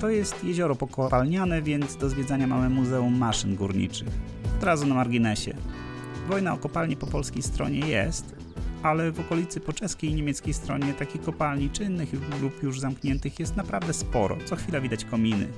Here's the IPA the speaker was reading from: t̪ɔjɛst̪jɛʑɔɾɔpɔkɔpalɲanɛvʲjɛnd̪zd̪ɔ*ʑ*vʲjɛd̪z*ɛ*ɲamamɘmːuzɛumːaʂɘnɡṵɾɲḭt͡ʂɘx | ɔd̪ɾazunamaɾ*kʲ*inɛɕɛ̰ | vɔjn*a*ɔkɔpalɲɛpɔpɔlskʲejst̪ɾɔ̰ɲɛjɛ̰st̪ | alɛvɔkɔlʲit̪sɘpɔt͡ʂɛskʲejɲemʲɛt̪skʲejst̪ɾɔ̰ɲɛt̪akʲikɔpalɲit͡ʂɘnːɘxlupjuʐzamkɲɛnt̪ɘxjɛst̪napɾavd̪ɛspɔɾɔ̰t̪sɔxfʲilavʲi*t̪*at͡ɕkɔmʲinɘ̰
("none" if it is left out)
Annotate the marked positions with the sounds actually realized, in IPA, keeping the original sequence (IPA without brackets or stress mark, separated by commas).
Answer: z, a, ɡʲ, a, d̪